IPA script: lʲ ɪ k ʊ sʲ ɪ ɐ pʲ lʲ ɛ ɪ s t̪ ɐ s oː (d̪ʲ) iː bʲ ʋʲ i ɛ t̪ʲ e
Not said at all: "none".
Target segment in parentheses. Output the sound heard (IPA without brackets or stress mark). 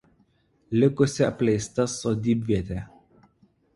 d̪ʲ